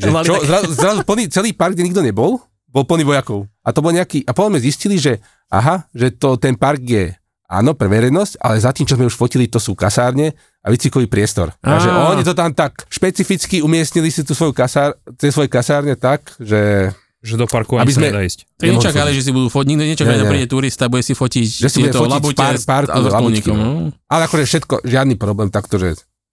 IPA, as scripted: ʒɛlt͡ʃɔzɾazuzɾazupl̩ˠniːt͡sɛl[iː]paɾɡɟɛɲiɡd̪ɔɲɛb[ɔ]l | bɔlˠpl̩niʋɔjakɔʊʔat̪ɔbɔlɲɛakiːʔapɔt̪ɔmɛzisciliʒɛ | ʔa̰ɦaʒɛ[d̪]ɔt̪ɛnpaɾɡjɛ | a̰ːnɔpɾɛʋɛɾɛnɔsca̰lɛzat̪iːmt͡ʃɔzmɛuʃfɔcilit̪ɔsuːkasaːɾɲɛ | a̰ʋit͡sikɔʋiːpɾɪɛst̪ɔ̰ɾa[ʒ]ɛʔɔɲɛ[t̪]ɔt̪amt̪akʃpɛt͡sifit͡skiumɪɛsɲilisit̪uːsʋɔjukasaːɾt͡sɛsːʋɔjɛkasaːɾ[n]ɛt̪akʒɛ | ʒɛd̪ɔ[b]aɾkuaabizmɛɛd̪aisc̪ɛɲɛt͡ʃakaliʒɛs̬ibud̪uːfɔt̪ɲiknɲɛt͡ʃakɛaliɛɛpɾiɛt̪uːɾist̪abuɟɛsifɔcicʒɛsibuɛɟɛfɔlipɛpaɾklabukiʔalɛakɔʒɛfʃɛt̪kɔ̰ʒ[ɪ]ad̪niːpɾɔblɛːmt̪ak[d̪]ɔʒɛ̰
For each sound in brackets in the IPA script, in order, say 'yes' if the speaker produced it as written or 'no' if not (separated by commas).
yes, yes, no, yes, yes, no, no, yes, no